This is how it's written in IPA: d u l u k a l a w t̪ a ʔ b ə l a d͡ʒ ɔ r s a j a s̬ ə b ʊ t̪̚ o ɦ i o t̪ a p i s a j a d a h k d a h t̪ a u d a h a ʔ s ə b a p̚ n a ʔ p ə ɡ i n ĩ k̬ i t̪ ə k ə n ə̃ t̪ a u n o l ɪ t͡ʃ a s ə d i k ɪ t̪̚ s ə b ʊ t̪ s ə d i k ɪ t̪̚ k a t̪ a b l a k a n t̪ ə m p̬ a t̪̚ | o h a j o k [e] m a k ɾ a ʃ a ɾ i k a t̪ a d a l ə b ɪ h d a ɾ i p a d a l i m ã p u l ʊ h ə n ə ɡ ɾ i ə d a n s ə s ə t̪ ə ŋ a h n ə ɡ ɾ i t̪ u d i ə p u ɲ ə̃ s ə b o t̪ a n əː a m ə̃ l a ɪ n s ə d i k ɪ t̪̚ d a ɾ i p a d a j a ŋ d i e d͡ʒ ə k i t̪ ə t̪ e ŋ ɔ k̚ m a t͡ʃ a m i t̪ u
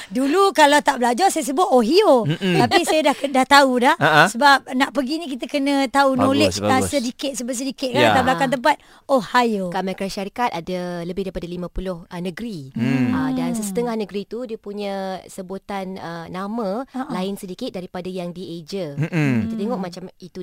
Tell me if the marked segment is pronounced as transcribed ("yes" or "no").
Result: no